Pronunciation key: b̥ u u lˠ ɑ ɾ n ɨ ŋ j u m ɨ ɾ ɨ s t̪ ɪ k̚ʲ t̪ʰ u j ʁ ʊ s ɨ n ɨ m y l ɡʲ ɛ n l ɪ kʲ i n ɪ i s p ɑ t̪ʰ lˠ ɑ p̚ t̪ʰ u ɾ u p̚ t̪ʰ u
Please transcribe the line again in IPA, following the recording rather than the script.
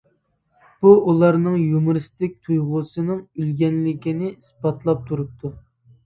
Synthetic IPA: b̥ u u lˠ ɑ ɾ n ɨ ŋ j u m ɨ ɾ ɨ s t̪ ɪ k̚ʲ t̪ʰ u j ʁ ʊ s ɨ n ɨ ŋ y l ɡʲ ɛ n l ɪ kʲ i n ɪ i s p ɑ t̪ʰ lˠ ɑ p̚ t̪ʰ u ɾ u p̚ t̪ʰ u